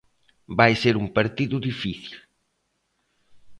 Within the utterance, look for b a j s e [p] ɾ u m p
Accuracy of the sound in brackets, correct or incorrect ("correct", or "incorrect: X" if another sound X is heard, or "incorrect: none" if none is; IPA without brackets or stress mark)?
incorrect: none